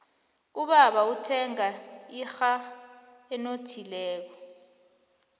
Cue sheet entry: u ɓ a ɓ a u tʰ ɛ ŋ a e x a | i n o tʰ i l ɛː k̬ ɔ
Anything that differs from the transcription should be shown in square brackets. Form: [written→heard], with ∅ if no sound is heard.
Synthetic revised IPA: u ɓ a ɓ a u tʰ ɛ ŋ a [e→i] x a | [i→ɛ] n o tʰ i l ɛː k̬ ɔ